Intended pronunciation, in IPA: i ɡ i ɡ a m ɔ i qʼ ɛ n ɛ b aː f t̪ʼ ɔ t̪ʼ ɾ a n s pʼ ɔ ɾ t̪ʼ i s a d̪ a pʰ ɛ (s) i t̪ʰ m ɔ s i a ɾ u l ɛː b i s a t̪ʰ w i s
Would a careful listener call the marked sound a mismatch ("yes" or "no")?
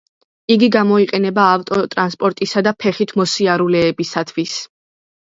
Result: yes